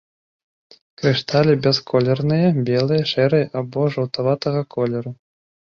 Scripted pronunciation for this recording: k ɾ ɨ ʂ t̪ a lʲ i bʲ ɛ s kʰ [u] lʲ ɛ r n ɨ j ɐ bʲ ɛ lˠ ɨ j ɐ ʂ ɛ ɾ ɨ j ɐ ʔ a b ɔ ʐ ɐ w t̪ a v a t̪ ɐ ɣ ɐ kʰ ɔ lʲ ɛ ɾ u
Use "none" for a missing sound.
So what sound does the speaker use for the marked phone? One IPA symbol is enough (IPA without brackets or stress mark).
ɔ